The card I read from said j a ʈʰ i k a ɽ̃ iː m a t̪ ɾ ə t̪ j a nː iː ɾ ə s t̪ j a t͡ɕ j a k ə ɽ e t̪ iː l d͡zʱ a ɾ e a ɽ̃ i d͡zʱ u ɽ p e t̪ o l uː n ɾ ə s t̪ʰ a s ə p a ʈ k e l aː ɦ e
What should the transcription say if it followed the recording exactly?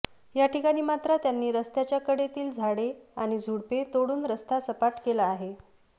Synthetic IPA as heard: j a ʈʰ i k a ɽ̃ iː m a t̪ ɾ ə t̪ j a nː iː ɾ ə s t̪ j a t͡ɕ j a k ə ɽ e t̪ iː l d͡zʱ a ɽ e a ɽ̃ i d͡zʱ u ɽ p e t̪ o ɽ uː n ɾ ə s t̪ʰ a s ə p a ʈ k e l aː ɦ e

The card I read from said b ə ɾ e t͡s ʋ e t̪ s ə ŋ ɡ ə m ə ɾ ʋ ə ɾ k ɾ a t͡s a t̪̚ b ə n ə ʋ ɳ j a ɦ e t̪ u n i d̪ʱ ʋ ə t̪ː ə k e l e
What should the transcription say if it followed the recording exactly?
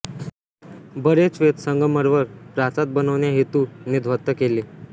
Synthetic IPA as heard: b ə ɾ e t͡s ʋ e t̪ s ə ŋ ɡ ə m ə ɾ ʋ ə ɾ p ɾ a t͡s a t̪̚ b ə n ə ʋ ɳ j a ɦ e t̪ u n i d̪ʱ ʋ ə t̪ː ə k e l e

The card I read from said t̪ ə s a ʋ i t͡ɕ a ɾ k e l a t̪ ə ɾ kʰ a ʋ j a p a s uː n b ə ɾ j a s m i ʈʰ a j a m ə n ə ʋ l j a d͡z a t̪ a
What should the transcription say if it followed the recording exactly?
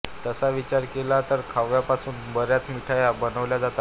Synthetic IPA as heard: t̪ ə s a ʋ i t͡ɕ a ɾ k e l a t̪ ə ɾ kʰ a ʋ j a p a s uː n b ə ɾ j a t͡s m i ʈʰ a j a b ə n ə ʋ l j a d͡z a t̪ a

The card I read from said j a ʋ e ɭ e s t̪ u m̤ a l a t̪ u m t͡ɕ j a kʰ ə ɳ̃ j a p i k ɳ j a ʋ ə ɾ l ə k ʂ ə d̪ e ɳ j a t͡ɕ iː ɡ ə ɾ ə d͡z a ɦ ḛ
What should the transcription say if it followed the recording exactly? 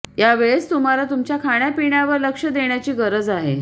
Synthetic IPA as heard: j a ʋ e ɭ e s t̪ u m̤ a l a t̪ u m t͡ɕ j a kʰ a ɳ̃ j a p i ɳ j a ʋ ə ɾ l ə k ʂ ə d̪ e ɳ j a t͡ɕ iː ɡ ə ɾ ə d͡z a ɦ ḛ

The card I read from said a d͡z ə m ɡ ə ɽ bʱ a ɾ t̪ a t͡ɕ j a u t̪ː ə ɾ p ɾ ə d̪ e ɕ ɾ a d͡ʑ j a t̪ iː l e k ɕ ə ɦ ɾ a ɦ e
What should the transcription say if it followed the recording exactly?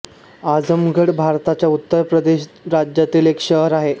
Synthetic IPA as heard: a d͡z ə m ɡ ə ɽ bʱ a ɾ t̪ a t͡ɕ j a u t̪ː ə ɾ p ɾ ə d̪ e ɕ ɾ a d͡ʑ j a t̪ iː l e k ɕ ə ɦ ɾ a ɦ e

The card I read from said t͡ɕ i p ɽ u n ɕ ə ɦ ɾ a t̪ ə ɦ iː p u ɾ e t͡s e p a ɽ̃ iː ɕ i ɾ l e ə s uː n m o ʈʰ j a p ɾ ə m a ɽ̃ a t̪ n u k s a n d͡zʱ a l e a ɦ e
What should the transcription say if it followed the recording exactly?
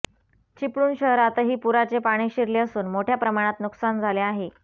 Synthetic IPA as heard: t͡ɕ i p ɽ uː n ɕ ə ɦ ɾ a t̪ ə ɦ iː p u ɾ a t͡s e p a ɽ̃ iː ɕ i ɾ l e ə s uː n m o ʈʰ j a p ɾ ə m a ɽ̃ a t̪ n u k s a n d͡zʱ a l e a ɦ e

